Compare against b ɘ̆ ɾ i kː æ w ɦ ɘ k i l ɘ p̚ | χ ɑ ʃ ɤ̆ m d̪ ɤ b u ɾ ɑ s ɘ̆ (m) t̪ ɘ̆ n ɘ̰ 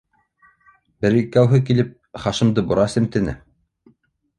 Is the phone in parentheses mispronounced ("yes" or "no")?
no